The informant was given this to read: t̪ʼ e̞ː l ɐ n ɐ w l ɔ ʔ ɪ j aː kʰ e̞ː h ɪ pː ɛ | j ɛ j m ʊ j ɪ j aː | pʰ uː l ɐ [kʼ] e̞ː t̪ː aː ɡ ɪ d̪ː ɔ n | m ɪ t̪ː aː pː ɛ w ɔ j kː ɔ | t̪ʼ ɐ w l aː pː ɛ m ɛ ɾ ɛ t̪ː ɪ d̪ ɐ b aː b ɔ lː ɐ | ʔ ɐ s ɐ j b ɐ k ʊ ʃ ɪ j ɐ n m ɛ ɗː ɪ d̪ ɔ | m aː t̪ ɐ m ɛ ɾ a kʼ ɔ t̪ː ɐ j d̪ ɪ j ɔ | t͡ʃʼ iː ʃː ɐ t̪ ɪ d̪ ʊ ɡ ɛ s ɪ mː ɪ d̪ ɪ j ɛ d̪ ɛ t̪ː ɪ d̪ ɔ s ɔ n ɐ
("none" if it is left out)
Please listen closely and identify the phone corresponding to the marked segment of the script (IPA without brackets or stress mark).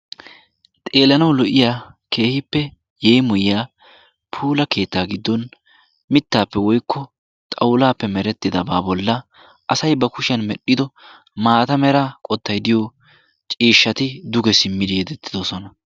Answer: k